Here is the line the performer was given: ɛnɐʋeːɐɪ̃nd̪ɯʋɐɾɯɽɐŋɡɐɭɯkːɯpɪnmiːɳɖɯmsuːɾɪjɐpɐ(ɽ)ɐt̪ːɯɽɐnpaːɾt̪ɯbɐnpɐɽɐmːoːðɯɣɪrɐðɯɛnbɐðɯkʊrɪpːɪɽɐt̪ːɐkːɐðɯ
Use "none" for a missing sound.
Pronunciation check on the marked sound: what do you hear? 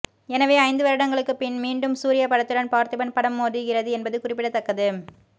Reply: ɽ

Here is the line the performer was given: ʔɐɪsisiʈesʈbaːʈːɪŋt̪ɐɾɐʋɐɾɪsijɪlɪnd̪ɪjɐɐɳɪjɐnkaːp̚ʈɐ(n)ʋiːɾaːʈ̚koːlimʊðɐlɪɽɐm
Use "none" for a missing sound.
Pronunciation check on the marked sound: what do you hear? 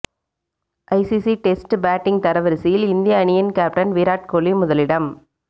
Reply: n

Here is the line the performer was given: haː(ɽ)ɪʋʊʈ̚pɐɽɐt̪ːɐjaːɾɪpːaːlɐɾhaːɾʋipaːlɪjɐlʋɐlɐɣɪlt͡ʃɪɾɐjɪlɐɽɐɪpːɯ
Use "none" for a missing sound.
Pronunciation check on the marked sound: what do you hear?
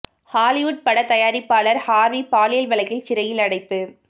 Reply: l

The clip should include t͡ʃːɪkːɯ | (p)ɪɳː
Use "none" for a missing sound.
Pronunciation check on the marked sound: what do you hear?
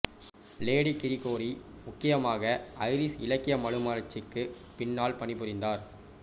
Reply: p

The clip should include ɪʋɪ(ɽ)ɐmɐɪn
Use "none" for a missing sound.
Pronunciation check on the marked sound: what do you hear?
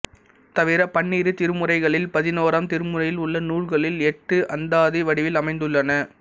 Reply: l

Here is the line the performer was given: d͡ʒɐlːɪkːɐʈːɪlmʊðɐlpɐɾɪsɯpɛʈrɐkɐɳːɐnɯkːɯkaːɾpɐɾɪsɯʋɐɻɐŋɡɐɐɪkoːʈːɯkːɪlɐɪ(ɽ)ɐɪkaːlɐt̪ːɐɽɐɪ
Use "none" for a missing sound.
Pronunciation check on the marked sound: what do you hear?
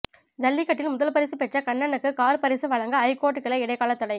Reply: ɽ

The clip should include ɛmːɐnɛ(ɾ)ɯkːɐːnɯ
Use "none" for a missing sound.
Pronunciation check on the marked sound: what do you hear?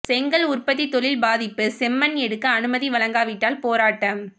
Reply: ɽ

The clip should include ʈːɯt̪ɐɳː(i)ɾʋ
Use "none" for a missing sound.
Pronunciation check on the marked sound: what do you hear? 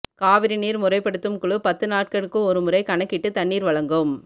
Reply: iː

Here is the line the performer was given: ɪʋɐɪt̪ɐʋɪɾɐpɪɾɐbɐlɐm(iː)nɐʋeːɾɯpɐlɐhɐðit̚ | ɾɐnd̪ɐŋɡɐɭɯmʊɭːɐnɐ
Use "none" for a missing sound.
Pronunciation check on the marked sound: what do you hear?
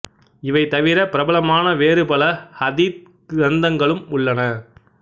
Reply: aː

